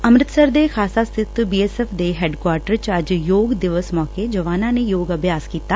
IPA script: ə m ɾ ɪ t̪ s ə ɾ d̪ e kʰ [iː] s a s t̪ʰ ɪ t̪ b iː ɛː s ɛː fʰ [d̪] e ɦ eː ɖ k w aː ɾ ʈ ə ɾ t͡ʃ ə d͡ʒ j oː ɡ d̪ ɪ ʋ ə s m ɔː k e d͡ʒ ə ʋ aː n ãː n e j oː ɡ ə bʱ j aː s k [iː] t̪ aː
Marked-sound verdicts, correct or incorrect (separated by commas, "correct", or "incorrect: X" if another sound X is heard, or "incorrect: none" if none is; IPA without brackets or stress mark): incorrect: aː, correct, correct